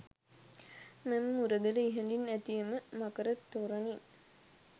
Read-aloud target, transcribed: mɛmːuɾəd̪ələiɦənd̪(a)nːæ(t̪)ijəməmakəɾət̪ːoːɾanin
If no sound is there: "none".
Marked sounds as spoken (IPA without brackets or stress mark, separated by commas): i, t̪